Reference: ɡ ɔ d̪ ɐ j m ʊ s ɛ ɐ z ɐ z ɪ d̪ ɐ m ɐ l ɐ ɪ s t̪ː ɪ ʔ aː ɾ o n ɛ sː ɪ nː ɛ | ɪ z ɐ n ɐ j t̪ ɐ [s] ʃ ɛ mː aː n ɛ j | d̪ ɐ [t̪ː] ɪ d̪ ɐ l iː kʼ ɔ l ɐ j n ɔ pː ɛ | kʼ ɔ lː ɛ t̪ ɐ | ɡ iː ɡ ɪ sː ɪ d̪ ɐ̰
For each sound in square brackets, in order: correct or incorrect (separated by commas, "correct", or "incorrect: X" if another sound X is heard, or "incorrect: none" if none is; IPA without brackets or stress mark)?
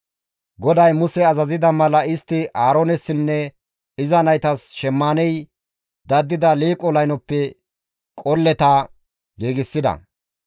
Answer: correct, incorrect: d̪ː